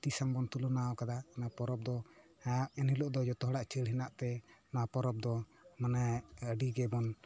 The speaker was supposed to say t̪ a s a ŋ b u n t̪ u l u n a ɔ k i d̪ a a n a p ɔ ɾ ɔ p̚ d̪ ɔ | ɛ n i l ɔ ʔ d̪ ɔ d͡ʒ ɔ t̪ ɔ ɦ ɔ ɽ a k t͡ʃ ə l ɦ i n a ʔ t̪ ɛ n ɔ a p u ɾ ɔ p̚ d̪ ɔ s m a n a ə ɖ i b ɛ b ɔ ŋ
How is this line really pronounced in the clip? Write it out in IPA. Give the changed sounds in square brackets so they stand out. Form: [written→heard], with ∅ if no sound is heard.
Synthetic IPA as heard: t̪ [a→i] s a ŋ b [u→ɔ] n t̪ u l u n a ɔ k [i→a] d̪ a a n a p ɔ ɾ ɔ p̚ d̪ ɔ | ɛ n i l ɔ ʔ d̪ ɔ d͡ʒ ɔ t̪ ɔ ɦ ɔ ɽ a [k→ʔ] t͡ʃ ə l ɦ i n a ʔ t̪ ɛ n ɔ a p [u→ɔ] ɾ ɔ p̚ d̪ ɔ [s→∅] m a n a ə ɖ i [b→ɡ] ɛ b ɔ [ŋ→n]